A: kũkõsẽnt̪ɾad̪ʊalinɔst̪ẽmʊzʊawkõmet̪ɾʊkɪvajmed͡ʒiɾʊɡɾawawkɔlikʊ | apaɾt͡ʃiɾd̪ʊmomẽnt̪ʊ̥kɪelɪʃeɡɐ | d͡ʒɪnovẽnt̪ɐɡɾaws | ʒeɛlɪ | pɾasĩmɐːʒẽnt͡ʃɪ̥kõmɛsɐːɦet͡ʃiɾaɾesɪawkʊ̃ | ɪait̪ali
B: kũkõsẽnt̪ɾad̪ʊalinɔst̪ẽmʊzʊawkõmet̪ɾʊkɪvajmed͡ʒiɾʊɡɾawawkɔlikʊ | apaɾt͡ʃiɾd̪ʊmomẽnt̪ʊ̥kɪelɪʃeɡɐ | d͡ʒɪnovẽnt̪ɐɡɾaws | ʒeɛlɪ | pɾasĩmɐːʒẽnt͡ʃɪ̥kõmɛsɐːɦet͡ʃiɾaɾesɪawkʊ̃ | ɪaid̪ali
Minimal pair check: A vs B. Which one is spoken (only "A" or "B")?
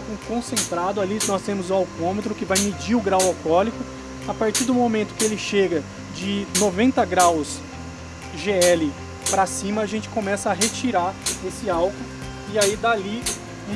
B